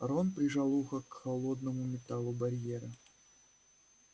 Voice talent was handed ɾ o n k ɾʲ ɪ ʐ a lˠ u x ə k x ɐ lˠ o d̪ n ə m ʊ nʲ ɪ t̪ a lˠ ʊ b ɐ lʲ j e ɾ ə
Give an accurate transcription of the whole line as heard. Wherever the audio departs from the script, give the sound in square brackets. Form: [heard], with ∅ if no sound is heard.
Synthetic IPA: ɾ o n [p] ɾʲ ɪ ʐ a lˠ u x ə k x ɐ lˠ o d̪ n ə m ʊ [mʲ] ɪ t̪ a lˠ ʊ b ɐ [ɾʲ] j e ɾ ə